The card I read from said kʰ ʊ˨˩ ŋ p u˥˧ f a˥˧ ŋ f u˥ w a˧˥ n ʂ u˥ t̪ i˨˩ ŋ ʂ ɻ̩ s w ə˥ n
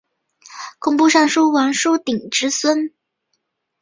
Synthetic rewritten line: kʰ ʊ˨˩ ŋ p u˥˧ ʂ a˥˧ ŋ ʂ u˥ w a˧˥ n ʂ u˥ t̪ i˨˩ ŋ ʈ͡ʂ ɻ̩ s w ə˥ n